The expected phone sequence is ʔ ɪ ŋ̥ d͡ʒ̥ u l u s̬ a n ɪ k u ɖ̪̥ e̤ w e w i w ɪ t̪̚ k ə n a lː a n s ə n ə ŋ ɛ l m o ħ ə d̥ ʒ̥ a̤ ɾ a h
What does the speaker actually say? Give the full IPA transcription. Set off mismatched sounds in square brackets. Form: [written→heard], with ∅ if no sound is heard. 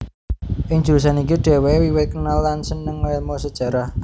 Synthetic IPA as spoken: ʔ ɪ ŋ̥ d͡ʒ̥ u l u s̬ a n [ɪ→i] k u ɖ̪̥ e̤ w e w i w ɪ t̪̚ k ə n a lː a n s ə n ə ŋ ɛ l m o [ħ→s] ə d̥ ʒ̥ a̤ ɾ a h